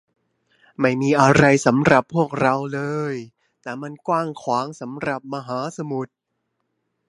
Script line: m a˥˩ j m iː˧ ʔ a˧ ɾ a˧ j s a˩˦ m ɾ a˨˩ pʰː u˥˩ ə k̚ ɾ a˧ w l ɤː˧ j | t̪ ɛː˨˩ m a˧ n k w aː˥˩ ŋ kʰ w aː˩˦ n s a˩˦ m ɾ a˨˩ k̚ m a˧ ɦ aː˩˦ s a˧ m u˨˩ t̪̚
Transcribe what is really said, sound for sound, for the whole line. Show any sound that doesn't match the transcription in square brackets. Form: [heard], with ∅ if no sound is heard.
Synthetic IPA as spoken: m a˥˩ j m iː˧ ʔ a˧ ɾ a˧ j s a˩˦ m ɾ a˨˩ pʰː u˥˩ ə k̚ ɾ a˧ w l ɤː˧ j | t̪ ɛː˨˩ m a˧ n k w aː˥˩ ŋ kʰ w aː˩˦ [ŋ] s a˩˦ m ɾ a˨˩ [p̚] m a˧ ɦ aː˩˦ s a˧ m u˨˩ t̪̚